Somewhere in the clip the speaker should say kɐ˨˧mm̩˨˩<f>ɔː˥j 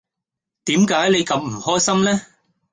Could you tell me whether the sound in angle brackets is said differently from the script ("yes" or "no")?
yes